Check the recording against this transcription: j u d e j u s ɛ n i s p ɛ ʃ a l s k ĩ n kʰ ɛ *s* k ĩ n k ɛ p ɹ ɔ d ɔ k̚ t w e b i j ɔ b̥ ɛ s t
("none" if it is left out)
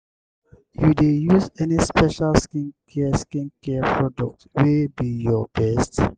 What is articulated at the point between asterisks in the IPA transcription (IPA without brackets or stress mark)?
s